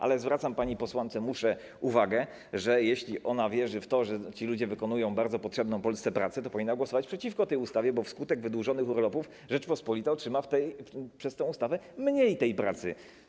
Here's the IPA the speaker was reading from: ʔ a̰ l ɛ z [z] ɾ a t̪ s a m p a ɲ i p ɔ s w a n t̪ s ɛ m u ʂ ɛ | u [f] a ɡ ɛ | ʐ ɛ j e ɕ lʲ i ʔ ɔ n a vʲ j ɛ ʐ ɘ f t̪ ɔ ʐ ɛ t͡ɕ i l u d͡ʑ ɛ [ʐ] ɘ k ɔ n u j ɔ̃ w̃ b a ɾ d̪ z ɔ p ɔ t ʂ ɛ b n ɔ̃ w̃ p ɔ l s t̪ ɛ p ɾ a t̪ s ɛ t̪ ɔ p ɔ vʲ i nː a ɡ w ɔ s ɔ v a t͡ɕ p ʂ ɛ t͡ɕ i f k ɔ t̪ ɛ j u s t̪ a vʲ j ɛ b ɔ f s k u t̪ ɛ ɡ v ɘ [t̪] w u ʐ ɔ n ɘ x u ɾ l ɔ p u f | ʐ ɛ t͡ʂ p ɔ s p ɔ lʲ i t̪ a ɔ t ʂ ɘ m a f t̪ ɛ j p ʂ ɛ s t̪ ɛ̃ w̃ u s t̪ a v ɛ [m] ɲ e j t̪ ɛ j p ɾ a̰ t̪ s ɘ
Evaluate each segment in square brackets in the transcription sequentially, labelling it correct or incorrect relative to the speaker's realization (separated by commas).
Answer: incorrect, incorrect, incorrect, incorrect, correct